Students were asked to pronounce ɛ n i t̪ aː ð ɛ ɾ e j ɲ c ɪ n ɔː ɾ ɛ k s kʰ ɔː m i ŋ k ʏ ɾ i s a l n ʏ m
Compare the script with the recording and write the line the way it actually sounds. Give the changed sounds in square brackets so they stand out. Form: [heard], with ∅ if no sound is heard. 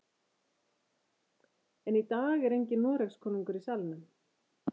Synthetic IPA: ɛ n i t̪ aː [ɣ] ɛ ɾ e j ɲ c ɪ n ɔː ɾ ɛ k s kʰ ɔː [n] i ŋ k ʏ ɾ i s a l n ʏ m